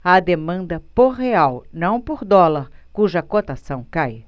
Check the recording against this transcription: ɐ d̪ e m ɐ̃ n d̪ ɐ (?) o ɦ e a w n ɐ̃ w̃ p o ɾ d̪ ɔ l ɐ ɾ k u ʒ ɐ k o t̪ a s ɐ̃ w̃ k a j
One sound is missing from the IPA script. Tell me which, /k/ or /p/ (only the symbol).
p